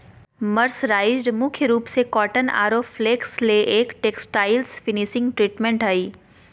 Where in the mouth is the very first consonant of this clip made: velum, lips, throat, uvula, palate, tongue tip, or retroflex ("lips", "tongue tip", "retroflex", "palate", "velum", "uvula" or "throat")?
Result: lips